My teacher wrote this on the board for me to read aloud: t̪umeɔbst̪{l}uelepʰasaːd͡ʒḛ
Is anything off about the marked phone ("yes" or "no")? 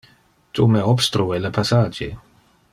yes